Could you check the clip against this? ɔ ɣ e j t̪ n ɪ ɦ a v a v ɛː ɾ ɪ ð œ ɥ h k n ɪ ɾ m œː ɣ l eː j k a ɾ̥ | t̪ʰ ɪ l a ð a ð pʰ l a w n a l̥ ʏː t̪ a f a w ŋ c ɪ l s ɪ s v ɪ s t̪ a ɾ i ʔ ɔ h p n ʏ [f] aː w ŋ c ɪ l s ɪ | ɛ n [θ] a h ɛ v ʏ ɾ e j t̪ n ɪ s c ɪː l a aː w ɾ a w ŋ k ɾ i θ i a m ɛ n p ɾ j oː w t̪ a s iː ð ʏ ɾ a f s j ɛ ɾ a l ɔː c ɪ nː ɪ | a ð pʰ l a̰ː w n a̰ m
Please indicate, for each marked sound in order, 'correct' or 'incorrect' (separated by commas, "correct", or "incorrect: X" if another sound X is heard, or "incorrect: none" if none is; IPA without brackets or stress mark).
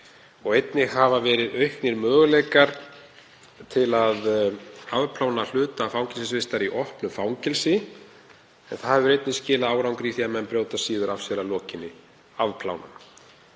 correct, correct